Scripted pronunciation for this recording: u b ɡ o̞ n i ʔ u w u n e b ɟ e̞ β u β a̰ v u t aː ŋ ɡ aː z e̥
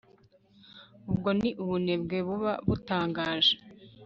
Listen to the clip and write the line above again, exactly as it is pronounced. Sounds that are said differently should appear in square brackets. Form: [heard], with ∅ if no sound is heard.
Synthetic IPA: u b ɡ o̞ n i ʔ u [β] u n e b [ɡ] e̞ β u β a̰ [β] u t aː ŋ ɡ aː [ʒ] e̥